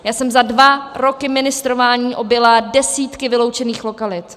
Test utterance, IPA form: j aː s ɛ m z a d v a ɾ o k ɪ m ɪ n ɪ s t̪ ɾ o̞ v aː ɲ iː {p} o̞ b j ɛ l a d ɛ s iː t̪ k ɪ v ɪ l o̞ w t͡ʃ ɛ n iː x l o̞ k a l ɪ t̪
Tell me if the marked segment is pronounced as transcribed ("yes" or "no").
no